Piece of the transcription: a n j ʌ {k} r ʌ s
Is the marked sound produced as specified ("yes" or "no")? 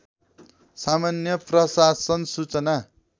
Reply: no